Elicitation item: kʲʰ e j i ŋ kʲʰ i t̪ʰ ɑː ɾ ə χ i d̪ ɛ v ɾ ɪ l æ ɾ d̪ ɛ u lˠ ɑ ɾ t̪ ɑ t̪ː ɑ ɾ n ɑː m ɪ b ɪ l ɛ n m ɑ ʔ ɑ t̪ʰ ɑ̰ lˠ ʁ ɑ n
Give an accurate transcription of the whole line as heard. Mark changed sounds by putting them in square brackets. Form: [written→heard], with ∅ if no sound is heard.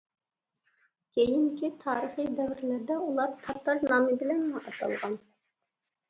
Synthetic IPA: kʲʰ e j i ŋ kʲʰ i t̪ʰ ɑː ɾ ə χ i d̪ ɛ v ɾ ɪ l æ ɾ d̪ ɛ u lˠ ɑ ɾ [t̪→t̪ʰ] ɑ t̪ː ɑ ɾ n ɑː m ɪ b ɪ l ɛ n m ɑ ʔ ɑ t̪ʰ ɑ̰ lˠ ʁ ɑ n